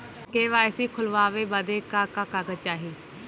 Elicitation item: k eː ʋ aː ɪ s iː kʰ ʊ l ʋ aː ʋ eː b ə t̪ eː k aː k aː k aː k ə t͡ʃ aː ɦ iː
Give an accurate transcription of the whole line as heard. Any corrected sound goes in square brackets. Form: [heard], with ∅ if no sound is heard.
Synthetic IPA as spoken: k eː ʋ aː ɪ s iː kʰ ʊ l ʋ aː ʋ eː b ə [d̪] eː k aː k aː k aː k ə t͡ʃ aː ɦ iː